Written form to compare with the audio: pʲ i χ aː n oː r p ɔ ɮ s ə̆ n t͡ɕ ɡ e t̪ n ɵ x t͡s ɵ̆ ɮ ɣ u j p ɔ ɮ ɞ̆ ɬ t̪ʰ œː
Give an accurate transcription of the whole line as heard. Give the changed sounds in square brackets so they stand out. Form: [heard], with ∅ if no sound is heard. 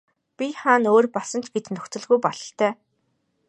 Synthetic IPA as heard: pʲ i χ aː n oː r p ɔ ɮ s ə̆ n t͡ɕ ɡ e t̪ n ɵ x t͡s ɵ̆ ɮ ɣ u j p ɔ ɮ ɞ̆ ɬ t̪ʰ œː